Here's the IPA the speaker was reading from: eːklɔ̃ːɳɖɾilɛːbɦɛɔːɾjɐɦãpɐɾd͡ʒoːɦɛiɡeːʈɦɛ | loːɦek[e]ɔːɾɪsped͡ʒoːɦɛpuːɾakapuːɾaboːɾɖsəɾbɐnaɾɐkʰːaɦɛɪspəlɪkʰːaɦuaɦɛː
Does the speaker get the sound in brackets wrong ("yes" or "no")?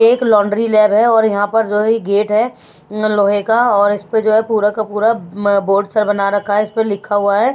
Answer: yes